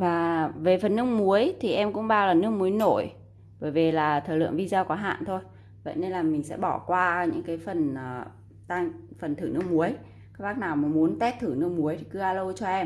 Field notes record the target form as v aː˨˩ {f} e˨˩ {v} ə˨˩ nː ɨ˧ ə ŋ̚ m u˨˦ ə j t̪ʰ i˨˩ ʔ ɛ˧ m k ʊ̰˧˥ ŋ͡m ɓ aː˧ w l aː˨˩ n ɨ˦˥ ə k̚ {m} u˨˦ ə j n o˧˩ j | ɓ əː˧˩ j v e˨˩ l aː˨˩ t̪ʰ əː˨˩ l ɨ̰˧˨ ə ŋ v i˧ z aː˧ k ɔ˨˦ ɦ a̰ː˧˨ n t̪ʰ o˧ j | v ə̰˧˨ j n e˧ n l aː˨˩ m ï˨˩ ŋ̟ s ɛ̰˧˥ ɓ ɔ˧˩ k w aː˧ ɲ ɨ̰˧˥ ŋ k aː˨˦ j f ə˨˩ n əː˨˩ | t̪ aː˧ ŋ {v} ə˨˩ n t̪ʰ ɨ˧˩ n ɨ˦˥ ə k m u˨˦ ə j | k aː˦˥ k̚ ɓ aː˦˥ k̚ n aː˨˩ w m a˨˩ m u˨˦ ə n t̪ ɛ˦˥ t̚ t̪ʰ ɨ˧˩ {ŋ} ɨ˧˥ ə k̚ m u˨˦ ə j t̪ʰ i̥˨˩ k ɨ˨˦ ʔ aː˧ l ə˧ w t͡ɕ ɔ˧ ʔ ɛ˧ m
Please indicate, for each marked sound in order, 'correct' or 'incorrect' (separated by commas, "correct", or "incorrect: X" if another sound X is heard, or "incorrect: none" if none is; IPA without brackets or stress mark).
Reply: incorrect: v, incorrect: f, correct, incorrect: f, incorrect: n